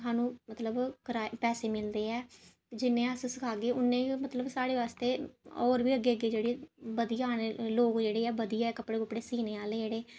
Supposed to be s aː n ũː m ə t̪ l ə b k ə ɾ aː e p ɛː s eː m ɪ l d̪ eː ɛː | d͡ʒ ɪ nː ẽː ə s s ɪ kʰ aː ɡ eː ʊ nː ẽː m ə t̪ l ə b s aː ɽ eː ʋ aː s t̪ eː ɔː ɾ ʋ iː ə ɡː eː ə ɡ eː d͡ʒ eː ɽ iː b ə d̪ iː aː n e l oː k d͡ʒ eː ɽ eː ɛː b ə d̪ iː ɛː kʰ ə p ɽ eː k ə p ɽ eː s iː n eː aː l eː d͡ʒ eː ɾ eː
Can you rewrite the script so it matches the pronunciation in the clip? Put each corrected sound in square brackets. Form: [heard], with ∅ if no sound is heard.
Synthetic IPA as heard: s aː n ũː m ə t̪ l ə b k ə ɾ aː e p ɛː s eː m ɪ l d̪ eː ɛː | d͡ʒ ɪ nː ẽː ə s s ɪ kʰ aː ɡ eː ʊ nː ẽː m ə t̪ l ə b s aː ɽ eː ʋ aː s t̪ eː ɔː ɾ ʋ iː ə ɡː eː ə ɡ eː d͡ʒ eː ɽ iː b ə d̪ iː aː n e l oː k d͡ʒ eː ɽ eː ɛː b ə d̪ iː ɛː [k] ə p ɽ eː k ə p ɽ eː s iː n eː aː l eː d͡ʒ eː [ɽ] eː